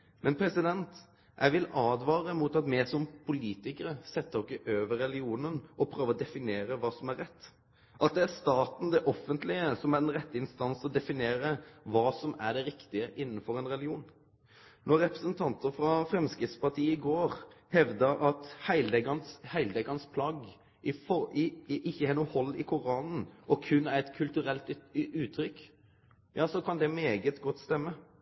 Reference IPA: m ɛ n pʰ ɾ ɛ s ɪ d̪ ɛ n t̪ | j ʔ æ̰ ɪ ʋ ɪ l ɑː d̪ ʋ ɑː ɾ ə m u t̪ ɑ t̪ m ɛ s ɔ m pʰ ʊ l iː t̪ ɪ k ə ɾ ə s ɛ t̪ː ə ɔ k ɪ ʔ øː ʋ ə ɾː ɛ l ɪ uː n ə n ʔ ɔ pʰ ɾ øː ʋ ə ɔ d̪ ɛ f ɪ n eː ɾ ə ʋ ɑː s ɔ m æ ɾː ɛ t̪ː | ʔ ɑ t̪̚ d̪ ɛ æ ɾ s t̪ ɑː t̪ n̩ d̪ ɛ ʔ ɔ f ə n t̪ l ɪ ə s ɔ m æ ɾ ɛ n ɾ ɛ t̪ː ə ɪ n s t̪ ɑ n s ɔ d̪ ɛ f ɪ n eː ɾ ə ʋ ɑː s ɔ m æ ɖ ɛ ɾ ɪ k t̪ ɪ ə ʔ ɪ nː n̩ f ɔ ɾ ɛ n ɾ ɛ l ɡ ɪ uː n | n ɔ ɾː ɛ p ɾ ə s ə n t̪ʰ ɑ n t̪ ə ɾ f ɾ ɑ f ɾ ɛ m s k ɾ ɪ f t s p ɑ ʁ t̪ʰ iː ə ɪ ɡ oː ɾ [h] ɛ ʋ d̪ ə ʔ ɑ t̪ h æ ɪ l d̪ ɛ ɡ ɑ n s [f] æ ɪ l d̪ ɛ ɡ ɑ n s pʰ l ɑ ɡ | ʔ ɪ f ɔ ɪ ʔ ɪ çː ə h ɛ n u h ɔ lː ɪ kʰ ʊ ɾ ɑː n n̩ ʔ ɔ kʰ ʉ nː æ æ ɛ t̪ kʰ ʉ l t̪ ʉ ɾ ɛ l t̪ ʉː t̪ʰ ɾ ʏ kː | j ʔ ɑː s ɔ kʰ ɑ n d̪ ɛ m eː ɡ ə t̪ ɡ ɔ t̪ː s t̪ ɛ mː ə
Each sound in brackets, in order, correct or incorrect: correct, incorrect: h

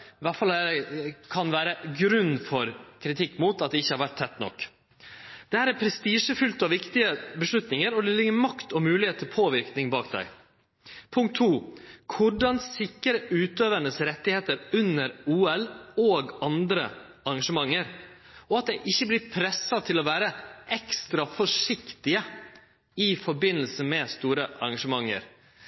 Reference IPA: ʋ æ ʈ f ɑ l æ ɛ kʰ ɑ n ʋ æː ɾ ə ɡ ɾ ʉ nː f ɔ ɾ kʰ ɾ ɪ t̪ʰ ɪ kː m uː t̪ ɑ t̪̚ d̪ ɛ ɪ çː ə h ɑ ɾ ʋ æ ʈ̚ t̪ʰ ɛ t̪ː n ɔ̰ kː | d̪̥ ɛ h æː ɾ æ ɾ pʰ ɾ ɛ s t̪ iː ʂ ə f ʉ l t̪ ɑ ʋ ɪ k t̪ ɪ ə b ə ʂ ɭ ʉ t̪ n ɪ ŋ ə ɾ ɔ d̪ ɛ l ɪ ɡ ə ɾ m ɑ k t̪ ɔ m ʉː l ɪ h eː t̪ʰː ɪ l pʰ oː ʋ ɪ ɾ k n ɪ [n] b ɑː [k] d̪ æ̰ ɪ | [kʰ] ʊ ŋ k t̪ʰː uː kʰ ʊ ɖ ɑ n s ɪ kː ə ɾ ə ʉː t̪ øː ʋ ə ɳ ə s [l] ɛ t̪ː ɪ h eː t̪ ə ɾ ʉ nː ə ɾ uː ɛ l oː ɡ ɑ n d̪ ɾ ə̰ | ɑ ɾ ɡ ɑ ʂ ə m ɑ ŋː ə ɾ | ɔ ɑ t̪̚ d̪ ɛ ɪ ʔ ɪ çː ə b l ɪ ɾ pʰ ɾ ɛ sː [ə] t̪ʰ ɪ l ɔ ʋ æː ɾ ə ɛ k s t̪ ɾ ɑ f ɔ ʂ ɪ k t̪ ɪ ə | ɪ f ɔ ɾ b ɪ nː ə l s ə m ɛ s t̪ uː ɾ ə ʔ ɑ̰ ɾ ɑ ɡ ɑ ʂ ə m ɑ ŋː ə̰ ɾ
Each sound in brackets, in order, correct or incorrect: incorrect: ŋ, correct, incorrect: pʰ, incorrect: ɾ, incorrect: ɑ

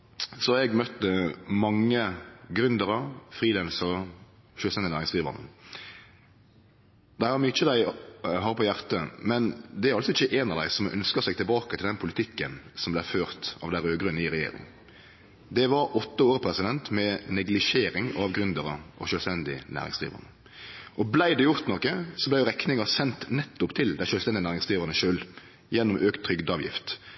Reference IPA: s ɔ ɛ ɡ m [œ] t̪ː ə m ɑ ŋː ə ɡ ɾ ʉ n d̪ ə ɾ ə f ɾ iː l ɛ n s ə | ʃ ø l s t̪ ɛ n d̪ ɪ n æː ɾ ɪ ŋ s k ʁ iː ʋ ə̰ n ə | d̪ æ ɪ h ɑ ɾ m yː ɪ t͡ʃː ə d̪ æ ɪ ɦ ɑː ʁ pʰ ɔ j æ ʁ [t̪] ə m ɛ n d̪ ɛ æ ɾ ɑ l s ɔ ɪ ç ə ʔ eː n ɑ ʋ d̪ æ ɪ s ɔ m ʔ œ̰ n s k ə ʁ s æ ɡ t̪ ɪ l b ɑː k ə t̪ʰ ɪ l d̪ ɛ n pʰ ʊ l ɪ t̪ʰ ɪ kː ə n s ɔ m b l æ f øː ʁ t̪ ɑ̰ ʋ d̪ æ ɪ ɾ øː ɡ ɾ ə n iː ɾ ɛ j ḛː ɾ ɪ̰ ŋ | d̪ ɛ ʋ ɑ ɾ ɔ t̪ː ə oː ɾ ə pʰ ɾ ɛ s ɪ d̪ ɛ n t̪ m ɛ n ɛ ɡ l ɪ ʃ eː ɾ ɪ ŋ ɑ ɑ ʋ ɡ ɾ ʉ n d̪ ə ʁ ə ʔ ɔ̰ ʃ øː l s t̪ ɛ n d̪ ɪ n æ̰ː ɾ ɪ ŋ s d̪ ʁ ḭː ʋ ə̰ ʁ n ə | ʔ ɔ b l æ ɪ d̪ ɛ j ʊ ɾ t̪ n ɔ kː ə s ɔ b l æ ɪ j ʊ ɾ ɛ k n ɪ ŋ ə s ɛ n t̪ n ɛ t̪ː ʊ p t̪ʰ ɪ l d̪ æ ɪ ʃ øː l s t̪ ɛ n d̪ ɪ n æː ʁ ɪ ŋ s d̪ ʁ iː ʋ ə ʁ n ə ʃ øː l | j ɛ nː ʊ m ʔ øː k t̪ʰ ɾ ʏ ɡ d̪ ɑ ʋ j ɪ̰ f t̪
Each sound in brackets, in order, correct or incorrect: correct, correct

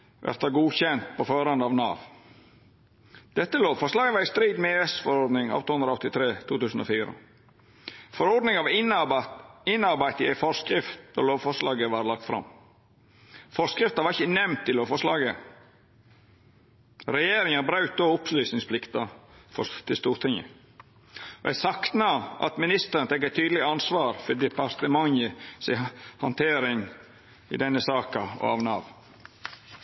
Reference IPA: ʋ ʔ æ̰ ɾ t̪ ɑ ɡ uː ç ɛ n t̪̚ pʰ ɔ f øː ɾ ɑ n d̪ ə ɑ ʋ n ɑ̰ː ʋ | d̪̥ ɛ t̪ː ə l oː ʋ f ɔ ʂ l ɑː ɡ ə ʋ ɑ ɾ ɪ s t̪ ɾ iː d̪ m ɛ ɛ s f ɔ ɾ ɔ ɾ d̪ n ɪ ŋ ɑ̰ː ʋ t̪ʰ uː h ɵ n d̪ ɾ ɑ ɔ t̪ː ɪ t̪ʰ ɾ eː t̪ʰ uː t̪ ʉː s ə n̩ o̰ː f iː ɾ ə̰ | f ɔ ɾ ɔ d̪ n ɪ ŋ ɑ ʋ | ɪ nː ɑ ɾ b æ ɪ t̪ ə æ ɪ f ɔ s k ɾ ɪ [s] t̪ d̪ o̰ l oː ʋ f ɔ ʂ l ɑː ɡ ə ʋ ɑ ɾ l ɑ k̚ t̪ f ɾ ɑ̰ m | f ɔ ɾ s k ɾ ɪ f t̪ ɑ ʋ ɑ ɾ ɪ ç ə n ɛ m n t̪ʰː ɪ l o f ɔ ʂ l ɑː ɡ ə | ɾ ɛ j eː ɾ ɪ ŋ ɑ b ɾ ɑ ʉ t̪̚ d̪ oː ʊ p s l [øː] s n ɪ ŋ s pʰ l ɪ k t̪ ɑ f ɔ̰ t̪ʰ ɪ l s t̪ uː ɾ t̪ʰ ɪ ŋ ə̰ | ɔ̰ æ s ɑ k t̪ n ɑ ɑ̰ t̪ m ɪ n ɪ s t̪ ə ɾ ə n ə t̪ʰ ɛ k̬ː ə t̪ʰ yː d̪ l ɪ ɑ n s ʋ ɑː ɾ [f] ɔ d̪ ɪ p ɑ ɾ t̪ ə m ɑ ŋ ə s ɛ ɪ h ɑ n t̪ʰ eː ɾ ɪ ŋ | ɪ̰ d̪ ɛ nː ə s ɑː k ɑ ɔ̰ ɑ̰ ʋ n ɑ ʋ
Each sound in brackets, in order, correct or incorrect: incorrect: f, incorrect: yː, correct

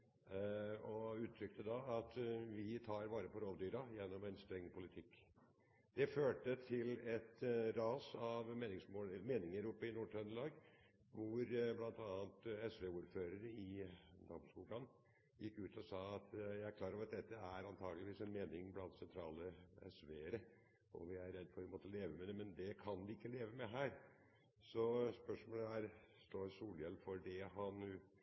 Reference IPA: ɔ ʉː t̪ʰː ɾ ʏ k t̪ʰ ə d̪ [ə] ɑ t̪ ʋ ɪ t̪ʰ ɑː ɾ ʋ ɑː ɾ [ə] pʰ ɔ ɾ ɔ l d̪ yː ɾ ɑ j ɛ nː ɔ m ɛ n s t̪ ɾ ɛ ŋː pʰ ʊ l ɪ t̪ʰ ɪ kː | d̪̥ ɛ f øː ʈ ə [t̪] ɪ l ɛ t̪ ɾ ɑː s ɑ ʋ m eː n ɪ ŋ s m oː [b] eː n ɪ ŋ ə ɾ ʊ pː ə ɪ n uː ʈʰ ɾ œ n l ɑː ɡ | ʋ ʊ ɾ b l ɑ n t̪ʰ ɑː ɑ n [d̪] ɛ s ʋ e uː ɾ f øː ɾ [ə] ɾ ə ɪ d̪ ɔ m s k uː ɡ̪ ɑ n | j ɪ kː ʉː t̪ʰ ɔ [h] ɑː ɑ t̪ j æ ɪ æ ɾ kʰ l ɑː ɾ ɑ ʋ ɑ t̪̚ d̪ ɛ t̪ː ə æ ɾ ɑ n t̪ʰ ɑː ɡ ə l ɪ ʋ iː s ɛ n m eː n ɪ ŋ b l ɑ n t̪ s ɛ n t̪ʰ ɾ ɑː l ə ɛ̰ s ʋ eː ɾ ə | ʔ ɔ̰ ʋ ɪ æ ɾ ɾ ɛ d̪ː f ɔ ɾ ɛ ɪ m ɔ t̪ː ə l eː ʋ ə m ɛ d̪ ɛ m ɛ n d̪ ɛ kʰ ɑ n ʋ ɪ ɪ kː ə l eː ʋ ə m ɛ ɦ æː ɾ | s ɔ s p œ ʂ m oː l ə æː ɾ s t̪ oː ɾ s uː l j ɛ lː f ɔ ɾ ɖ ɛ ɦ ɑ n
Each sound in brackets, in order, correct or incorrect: incorrect: ɑ, correct, incorrect: t̪ʰ, incorrect: m, incorrect: t̪, correct, incorrect: s

